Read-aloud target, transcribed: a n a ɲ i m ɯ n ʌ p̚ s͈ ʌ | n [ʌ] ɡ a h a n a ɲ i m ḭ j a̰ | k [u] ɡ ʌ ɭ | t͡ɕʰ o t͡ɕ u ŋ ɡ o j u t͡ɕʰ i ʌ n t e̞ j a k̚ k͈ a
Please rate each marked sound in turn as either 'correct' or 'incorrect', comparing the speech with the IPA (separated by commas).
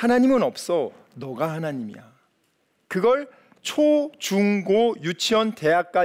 correct, incorrect